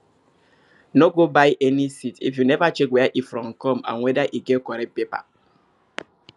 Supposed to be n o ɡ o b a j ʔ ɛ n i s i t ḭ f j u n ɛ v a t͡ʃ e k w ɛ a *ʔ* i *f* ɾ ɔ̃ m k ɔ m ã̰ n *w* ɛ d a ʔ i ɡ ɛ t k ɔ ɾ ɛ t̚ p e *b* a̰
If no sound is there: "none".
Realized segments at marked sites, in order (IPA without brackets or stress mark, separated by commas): ʔ, f, w, p